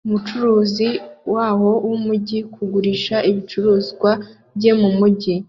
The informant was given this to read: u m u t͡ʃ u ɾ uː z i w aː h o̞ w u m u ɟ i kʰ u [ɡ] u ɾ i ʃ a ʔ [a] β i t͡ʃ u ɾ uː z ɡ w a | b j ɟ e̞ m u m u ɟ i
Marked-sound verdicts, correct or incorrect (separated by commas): correct, incorrect